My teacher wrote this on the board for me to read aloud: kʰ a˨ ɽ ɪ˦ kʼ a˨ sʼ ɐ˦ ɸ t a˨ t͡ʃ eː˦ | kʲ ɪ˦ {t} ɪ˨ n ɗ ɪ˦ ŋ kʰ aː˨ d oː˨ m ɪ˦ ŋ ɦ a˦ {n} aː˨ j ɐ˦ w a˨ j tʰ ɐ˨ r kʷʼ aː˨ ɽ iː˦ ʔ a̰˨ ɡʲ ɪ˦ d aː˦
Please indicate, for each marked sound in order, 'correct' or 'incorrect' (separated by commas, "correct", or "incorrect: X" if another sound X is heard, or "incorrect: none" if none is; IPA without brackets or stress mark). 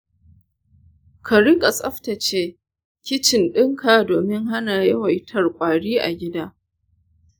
incorrect: t͡ʃ, correct